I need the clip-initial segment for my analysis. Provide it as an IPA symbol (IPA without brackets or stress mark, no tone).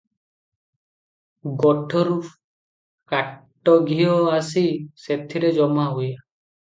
ɡ